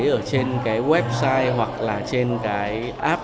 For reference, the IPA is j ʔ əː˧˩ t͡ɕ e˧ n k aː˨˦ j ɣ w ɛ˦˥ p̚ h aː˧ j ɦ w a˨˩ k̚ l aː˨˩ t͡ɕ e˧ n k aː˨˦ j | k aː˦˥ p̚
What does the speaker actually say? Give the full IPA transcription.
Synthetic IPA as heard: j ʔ əː˧˩ t͡ɕ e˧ n k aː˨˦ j ɣ w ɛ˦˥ p̚ s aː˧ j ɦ w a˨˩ k̚ l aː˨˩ t͡ɕ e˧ n k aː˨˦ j | ʔ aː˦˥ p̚